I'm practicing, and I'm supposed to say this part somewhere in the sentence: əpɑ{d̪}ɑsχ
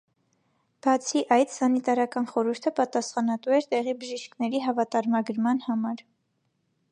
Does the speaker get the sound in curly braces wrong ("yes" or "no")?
yes